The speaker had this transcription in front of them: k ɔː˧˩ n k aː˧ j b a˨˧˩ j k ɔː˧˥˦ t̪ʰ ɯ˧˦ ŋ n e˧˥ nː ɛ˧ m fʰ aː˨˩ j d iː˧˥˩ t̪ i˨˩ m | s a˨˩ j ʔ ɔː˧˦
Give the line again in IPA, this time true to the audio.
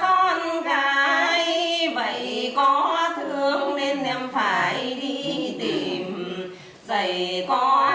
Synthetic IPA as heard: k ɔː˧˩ n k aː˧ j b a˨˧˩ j k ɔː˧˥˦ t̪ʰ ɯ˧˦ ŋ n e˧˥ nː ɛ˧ m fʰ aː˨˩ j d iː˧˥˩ t̪ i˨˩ m | s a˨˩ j k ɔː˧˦